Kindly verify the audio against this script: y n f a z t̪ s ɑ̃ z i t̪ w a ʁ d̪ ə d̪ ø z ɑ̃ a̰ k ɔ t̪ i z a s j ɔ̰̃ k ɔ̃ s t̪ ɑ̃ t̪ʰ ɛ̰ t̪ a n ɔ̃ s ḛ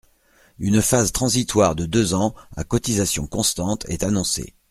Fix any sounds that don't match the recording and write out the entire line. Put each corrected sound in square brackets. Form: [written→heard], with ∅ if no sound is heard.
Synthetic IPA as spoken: y n f a z t̪ [s→χ] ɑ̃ z i t̪ w a ʁ d̪ ə d̪ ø z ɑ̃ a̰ k ɔ t̪ i z a s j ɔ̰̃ k ɔ̃ s t̪ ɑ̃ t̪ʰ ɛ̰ t̪ a n ɔ̃ s ḛ